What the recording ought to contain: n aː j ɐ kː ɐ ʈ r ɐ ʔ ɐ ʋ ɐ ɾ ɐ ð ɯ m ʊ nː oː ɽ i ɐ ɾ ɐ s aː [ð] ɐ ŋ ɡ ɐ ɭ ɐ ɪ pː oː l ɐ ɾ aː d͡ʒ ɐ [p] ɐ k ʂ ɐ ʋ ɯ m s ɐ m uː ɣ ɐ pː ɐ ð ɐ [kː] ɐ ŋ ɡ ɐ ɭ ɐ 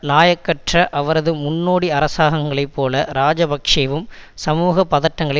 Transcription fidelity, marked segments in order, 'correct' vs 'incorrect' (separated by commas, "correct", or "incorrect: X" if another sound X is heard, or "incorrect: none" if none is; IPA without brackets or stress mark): incorrect: ɣ, incorrect: b, incorrect: ʈː